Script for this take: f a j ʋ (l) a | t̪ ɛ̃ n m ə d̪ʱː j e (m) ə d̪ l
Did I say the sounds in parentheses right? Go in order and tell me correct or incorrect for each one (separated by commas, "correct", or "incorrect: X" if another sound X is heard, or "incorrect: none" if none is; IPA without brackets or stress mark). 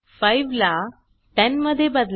correct, incorrect: b